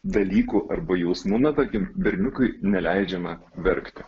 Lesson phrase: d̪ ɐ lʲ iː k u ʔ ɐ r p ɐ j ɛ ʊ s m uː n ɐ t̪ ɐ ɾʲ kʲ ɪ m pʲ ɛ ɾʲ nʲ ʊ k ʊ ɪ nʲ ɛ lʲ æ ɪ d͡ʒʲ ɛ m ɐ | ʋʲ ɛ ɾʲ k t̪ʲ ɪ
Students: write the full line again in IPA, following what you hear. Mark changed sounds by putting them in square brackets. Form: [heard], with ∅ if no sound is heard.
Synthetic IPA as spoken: d̪ ɐ lʲ iː k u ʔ ɐ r [b] ɐ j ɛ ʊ s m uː n ɐ t̪ ɐ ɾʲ kʲ ɪ m [bʲ] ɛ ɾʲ nʲ ʊ k ʊ ɪ nʲ ɛ lʲ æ ɪ d͡ʒʲ ɛ m ɐ | ʋʲ ɛ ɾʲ k t̪ʲ ɪ